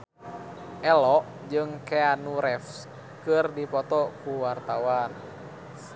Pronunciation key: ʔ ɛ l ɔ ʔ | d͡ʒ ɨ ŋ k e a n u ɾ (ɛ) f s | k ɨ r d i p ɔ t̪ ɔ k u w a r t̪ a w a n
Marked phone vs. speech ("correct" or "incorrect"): correct